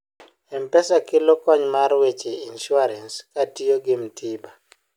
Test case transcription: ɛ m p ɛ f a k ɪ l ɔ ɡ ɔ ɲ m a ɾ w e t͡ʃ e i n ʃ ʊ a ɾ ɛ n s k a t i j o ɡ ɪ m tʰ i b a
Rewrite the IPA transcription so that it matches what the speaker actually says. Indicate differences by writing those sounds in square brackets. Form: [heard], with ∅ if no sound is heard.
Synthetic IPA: ɛ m p ɛ [s] a k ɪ l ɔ [k] ɔ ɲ m a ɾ w e t͡ʃ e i n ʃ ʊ a ɾ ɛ n s k a t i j o ɡ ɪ m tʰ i b a